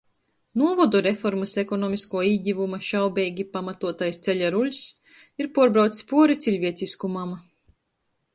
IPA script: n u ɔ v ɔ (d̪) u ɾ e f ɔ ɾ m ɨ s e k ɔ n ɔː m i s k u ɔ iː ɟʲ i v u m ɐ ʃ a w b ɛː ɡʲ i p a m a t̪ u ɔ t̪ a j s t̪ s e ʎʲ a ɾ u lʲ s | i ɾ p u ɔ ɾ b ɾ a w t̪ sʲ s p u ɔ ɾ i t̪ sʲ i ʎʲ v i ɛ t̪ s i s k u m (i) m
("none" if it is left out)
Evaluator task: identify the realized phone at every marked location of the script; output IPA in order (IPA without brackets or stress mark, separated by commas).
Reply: d̪, a